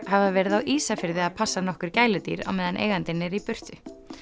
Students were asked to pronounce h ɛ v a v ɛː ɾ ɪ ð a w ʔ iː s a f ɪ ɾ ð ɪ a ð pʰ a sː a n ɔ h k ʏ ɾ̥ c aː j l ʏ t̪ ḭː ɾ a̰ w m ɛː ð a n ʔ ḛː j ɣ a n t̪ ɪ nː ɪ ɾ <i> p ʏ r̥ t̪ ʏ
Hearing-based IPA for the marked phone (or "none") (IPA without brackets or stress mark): i